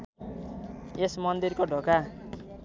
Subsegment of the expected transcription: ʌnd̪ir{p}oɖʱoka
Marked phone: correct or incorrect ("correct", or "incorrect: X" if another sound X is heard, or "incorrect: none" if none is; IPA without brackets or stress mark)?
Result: incorrect: k